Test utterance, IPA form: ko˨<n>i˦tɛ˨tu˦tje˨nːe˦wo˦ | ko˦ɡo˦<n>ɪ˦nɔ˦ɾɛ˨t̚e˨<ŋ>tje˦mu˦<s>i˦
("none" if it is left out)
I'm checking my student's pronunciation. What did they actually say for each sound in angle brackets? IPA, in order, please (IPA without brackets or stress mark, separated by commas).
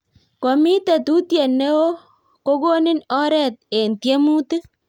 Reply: m, n, n, t